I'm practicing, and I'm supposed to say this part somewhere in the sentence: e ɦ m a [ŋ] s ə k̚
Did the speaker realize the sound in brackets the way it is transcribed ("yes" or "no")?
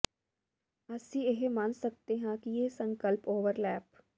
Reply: no